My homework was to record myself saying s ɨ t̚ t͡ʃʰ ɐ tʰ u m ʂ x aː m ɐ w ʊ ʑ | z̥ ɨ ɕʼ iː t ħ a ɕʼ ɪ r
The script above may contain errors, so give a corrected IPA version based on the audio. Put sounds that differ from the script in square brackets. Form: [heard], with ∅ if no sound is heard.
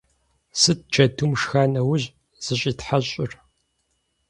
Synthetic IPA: s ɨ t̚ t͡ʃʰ ɐ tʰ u m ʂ x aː [n] ɐ w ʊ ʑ | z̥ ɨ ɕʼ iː t ħ a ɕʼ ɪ r